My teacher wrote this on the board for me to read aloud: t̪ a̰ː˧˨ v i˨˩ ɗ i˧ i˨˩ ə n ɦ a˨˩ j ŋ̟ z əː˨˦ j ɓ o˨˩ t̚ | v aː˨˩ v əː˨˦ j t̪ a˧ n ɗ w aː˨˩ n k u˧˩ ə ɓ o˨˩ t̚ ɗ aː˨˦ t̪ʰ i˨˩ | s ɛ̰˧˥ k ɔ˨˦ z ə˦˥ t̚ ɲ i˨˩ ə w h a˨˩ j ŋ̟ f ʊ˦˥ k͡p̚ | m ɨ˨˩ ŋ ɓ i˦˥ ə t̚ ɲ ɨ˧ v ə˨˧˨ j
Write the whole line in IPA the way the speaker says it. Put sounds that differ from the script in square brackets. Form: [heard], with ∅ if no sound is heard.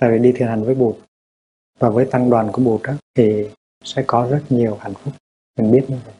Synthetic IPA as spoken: t̪ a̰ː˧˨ v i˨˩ ɗ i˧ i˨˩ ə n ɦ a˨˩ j ŋ̟ [v] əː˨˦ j ɓ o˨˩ t̚ | v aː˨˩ v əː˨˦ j t̪ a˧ [ŋ] ɗ w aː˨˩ n k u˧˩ ə ɓ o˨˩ t̚ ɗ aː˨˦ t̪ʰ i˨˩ | s ɛ̰˧˥ k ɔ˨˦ z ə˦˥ t̚ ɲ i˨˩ ə w h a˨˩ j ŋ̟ f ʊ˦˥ k͡p̚ | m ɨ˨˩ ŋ ɓ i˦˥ ə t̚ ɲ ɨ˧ v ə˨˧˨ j